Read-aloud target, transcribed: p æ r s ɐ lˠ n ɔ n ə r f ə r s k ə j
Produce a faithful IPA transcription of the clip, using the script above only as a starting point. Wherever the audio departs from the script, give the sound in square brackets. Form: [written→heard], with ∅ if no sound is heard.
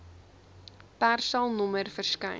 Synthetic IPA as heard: p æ r s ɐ lˠ n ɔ [n→m] ə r f ə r s k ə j